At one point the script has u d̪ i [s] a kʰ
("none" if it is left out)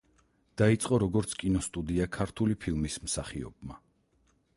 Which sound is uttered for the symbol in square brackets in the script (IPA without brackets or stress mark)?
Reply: none